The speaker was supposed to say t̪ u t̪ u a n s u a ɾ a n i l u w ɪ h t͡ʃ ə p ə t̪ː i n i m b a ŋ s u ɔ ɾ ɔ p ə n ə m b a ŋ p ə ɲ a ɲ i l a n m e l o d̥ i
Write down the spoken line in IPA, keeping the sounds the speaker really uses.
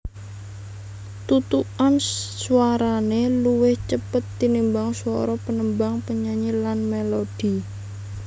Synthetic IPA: t̪ u t̪ u a n s u a ɾ a n e l u w ɪ h t͡ʃ ə p ə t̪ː i n i m b a ŋ s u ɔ ɾ ɔ p ə n ə m b a ŋ p ə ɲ a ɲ i l a n m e l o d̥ i